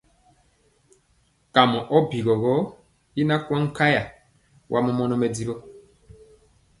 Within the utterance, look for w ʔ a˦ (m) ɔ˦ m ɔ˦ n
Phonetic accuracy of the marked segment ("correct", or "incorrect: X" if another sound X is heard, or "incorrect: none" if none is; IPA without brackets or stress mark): correct